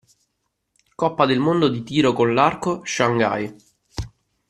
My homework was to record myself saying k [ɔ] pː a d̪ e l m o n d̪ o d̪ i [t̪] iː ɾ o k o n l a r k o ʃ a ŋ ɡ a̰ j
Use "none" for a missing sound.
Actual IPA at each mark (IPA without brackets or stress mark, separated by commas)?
ɔ, t̪